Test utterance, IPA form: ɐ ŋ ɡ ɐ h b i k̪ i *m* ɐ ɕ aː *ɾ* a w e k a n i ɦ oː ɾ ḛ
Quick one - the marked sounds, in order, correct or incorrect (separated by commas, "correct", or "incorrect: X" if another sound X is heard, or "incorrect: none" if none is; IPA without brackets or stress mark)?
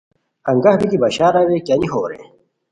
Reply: incorrect: b, correct